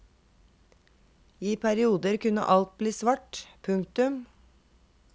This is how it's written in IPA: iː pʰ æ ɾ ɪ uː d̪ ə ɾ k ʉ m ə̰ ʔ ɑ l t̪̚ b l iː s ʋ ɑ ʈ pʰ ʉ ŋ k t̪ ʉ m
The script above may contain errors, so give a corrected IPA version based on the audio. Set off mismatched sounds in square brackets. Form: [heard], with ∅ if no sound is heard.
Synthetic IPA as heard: iː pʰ æ ɾ ɪ uː d̪ ə ɾ k ʉ [n] ə̰ ʔ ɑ l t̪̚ b l iː s ʋ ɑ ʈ pʰ ʉ ŋ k t̪ ʉ m